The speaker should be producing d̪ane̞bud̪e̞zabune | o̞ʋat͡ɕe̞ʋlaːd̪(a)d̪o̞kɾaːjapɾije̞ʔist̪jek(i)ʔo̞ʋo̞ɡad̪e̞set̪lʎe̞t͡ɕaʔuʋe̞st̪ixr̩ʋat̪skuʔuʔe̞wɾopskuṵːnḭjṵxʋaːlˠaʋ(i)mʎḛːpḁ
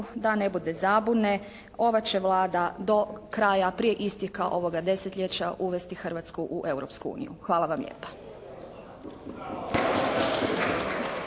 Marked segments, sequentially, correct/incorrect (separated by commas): correct, incorrect, incorrect